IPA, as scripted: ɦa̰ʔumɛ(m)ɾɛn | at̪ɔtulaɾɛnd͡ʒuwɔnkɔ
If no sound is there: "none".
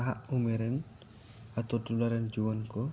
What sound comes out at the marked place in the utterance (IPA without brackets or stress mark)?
none